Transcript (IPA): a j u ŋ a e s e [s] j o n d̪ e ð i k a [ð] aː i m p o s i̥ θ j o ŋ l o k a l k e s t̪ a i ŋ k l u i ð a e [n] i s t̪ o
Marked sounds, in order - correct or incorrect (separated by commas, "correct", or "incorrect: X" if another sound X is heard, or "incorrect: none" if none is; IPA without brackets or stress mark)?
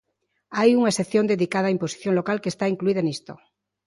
incorrect: θ, correct, correct